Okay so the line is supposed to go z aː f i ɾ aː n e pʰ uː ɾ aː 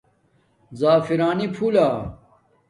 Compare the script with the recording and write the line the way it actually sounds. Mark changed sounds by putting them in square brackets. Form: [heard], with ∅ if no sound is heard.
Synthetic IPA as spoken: z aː f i ɾ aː n [i] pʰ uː [l] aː